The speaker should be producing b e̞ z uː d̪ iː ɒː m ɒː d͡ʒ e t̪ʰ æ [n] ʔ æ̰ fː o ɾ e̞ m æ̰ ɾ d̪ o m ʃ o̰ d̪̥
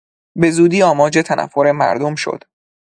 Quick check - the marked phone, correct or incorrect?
correct